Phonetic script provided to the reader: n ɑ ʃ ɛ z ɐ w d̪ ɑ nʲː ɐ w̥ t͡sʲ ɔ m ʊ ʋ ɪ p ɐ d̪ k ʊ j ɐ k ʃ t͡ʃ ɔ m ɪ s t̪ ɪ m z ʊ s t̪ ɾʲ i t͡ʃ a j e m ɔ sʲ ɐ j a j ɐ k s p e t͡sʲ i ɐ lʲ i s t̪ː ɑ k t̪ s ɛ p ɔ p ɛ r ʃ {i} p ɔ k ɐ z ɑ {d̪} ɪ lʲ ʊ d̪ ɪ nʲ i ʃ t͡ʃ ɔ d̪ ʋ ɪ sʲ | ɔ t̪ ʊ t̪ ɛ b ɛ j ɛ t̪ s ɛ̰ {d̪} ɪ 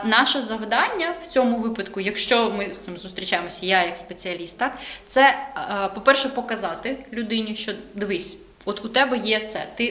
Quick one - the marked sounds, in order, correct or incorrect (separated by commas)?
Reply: incorrect, incorrect, incorrect